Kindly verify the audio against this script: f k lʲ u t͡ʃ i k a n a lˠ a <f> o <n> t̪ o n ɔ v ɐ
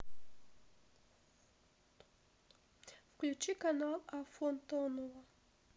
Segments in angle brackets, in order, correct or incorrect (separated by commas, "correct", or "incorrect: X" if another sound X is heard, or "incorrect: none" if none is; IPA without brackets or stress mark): correct, correct